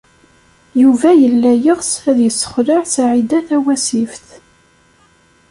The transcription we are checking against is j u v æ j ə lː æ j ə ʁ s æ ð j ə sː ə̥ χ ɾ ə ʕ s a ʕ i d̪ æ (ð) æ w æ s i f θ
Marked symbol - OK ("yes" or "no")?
no